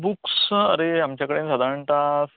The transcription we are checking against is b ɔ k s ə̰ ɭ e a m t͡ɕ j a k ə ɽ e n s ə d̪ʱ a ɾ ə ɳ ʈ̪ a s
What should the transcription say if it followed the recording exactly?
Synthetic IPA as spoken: b u k s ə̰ ɾ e a m t͡ɕ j a k ə ɽ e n s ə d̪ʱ a ɾ ə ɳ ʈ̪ a s